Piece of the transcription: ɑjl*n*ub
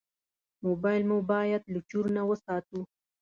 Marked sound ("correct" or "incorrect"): incorrect